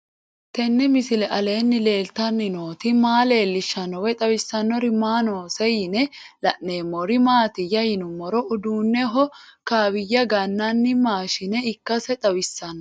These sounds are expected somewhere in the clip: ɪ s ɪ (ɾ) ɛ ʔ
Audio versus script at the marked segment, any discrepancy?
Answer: yes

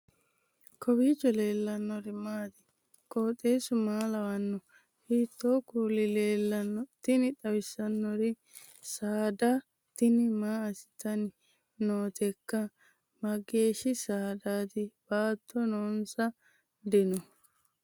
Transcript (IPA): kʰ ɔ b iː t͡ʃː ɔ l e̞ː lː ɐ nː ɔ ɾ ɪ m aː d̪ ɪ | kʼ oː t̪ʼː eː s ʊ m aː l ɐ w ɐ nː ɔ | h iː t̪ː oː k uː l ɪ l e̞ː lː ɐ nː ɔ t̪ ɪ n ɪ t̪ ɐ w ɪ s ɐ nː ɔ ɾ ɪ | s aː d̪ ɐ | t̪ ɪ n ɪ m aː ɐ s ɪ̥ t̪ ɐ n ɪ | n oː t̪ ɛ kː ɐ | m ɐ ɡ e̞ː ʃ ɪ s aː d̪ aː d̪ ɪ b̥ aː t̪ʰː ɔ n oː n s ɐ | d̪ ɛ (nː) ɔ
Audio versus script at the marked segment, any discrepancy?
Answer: yes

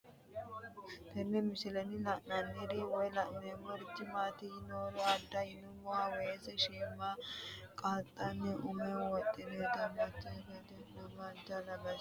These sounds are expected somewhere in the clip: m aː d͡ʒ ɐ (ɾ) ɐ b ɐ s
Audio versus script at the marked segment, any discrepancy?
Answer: yes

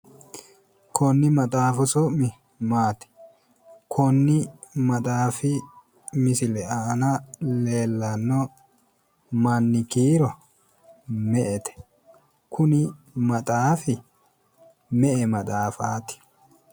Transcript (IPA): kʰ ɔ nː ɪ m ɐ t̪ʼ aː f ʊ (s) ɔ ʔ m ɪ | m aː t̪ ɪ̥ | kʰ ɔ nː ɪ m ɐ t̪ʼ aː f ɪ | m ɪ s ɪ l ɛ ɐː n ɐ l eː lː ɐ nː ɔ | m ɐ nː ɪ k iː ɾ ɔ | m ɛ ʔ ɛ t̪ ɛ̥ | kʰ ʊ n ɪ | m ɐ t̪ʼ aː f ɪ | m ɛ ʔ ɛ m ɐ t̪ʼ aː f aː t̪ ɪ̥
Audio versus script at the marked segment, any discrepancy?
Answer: no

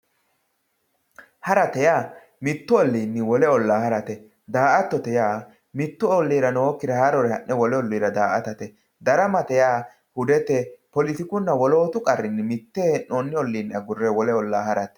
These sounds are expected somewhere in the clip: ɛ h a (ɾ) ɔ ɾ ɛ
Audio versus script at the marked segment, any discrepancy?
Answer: no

